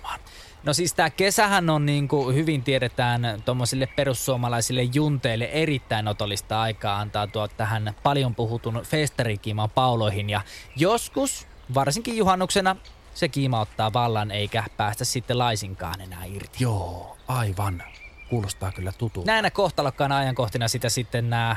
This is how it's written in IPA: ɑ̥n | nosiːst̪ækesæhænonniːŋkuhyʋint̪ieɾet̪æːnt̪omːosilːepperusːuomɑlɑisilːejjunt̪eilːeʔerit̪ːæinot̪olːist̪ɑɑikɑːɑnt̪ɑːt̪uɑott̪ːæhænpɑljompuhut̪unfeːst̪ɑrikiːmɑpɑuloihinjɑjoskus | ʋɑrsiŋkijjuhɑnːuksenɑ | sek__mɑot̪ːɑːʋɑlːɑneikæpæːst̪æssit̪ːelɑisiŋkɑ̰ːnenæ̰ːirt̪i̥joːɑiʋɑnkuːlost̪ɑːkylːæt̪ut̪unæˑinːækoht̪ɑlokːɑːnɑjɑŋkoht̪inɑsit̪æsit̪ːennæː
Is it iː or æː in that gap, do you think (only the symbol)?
iː